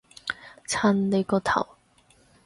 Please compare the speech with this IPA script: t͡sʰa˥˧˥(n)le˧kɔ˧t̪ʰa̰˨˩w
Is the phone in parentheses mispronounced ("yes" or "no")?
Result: no